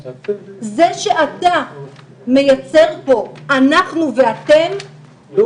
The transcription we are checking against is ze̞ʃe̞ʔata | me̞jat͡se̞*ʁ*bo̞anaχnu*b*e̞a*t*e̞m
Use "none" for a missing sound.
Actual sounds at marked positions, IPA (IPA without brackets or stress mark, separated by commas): ʁ, v, t